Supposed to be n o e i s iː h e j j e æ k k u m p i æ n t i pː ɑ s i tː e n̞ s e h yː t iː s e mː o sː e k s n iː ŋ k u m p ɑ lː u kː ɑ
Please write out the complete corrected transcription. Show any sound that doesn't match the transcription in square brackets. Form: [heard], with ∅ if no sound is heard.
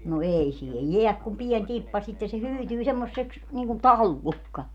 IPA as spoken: n o e i s iː h e j j e æ k k u m p i [e] n t i pː ɑ s i tː e n̞ s e h yː t [yː] s e mː o sː e k s n iː ŋ k u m p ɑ lː u kː ɑ